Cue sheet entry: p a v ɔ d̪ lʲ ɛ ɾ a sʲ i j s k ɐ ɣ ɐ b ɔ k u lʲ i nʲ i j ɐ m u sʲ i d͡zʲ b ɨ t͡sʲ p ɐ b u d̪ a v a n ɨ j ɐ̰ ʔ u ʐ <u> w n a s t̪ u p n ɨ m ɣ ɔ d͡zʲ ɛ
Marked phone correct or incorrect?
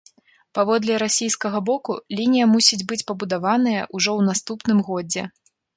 incorrect